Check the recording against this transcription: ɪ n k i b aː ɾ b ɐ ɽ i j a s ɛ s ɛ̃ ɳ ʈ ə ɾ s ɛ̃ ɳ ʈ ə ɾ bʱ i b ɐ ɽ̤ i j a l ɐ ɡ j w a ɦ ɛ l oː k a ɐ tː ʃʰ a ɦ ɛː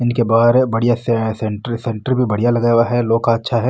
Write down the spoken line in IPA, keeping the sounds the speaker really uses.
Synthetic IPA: ɪ n k e b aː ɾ b ɐ ɽ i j a s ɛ s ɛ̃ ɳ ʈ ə ɾ s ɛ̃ ɳ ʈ ə ɾ bʱ i b ɐ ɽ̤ i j a l ɐ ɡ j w a ɦ ɛ l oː k a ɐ tː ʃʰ a ɦ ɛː